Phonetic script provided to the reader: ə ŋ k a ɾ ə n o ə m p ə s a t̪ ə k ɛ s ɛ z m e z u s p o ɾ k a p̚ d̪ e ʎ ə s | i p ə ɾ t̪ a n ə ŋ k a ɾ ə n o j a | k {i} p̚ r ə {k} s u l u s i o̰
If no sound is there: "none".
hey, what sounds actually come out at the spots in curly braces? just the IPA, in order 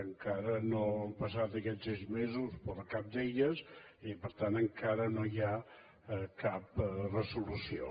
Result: a, none

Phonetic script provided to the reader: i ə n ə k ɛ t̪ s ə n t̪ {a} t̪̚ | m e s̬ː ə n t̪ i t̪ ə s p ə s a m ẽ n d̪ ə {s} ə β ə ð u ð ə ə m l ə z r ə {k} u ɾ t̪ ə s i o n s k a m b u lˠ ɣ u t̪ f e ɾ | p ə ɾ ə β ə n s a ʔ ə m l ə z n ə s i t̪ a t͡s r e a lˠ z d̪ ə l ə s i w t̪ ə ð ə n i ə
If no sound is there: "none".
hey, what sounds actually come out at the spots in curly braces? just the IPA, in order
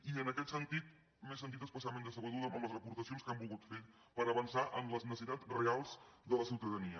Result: i, s, p

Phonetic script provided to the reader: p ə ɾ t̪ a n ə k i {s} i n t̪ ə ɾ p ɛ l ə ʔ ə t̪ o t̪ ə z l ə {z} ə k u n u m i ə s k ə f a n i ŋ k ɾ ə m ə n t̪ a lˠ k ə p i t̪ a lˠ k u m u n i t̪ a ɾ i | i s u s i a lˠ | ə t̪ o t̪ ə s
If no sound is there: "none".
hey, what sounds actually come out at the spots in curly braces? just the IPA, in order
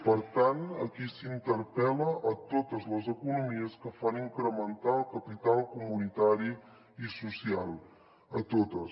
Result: s, z

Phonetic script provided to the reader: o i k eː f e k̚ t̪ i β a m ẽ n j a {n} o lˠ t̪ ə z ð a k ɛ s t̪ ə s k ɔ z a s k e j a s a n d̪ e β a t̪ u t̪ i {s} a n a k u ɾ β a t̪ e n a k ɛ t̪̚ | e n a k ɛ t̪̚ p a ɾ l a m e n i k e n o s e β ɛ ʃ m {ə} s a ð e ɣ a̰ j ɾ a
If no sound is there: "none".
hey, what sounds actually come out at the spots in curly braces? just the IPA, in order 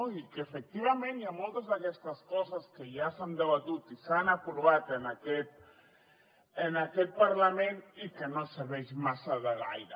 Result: m, s, a

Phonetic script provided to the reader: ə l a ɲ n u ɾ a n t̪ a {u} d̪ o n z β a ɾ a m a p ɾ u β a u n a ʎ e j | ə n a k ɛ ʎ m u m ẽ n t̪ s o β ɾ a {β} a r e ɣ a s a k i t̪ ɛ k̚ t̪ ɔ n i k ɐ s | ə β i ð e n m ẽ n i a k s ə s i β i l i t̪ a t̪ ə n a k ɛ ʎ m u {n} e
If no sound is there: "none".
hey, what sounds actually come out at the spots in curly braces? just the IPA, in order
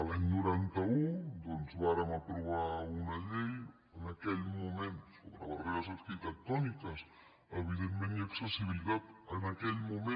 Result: u, β, m

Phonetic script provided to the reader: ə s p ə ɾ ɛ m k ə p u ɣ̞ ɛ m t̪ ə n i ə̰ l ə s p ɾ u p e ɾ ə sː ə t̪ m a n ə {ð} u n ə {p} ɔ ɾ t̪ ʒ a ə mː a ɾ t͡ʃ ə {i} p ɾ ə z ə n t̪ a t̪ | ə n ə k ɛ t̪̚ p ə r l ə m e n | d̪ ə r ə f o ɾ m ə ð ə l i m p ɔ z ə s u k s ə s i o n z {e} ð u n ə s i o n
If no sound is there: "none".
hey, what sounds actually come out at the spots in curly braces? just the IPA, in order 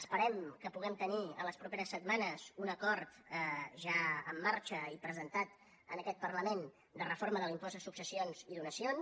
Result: z, k, i, i

